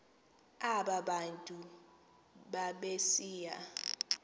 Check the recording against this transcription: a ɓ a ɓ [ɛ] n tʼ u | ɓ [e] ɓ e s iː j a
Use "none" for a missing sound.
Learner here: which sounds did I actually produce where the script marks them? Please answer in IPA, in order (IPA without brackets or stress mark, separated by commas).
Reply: a, a